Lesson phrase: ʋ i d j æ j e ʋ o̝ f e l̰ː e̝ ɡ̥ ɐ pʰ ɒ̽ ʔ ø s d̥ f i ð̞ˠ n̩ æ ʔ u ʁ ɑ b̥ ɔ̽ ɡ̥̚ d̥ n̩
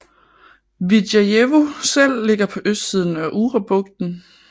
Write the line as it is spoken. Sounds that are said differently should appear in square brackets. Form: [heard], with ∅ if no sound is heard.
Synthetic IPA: ʋ i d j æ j e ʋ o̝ [s] e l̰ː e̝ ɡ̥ ɐ pʰ ɒ̽ ʔ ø s d̥ [s] i ð̞ˠ n̩ æ ʔ u ʁ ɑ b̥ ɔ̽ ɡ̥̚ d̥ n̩